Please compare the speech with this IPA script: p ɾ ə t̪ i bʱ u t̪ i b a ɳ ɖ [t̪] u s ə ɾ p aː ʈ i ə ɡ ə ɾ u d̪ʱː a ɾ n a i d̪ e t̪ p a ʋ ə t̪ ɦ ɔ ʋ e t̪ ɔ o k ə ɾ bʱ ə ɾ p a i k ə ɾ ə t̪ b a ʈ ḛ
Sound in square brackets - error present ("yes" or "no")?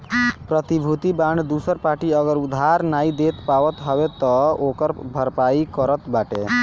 yes